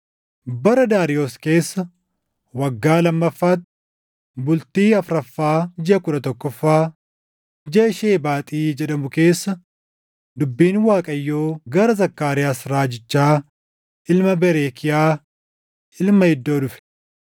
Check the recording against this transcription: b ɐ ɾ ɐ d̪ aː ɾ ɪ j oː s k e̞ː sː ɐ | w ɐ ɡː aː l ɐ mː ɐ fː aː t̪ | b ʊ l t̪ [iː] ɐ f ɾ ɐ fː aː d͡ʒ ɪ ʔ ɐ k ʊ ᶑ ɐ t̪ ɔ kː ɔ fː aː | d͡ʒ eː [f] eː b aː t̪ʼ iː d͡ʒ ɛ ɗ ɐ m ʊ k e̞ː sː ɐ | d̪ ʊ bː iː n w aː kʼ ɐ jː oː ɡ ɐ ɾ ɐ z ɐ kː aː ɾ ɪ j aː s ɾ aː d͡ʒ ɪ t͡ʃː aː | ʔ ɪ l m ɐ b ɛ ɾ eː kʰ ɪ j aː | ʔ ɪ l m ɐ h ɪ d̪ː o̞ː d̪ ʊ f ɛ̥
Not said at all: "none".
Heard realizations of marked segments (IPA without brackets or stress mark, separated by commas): iː, ʃ